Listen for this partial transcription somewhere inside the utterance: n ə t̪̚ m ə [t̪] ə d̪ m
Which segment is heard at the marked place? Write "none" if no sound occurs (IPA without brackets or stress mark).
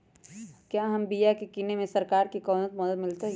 d̪